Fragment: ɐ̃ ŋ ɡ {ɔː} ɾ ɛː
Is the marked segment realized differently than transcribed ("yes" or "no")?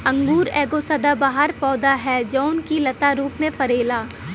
yes